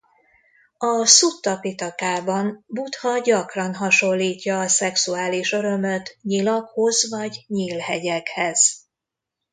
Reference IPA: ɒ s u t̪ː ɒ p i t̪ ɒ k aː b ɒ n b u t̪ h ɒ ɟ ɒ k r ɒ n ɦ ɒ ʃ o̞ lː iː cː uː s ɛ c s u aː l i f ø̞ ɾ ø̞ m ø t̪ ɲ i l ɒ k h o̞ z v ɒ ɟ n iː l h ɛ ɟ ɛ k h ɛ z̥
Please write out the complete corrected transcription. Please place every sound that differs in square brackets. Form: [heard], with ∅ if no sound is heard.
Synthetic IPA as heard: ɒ s u t̪ː ɒ p i t̪ ɒ k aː b ɒ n b u t̪ h ɒ ɟ ɒ k r ɒ n ɦ ɒ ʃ o̞ lː iː cː [ɒː] s ɛ [k] s u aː l i [ʃ] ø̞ ɾ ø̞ m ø t̪ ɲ i l ɒ k h o̞ z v ɒ ɟ [ɲ] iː l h ɛ ɟ ɛ k h ɛ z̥